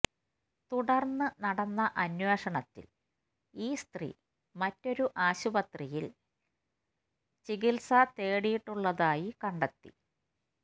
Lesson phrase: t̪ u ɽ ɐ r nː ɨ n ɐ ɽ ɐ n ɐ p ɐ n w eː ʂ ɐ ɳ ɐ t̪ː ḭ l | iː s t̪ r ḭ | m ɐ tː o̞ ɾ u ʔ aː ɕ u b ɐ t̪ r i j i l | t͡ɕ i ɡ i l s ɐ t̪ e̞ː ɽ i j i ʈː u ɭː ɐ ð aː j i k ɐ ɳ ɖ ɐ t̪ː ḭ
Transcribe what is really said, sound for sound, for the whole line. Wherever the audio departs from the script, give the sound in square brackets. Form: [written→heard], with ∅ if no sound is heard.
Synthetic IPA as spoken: t̪ u ɽ ɐ r nː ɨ n ɐ ɽ ɐ [n→nː] ɐ [p→ʔ] ɐ n w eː ʂ ɐ ɳ ɐ t̪ː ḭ l | iː s t̪ r ḭ | m ɐ tː o̞ ɾ u ʔ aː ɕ u b ɐ t̪ r i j i l | t͡ɕ i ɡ i l s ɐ t̪ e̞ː ɽ i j i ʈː u ɭː ɐ ð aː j i k ɐ ɳ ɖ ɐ t̪ː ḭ